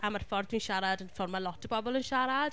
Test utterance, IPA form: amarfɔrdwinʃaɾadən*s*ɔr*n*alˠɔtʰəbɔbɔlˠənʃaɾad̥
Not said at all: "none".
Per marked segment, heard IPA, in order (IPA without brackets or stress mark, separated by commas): f, m